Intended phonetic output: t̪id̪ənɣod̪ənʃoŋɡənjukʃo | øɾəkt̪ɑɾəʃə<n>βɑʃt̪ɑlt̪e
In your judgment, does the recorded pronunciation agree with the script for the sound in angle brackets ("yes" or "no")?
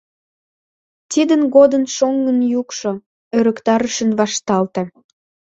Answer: yes